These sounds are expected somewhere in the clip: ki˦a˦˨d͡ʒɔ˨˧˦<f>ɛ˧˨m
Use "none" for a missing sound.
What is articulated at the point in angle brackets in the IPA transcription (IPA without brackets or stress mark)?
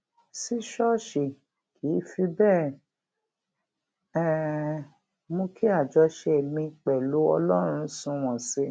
ʃ